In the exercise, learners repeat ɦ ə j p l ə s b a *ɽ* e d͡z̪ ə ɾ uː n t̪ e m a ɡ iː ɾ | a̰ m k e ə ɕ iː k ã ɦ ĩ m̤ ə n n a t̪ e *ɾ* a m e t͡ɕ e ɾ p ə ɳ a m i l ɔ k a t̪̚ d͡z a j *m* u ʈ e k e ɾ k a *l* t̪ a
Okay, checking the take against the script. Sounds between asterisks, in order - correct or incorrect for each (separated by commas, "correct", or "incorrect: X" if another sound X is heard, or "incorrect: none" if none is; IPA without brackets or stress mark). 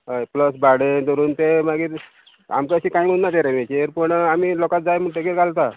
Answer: correct, correct, correct, correct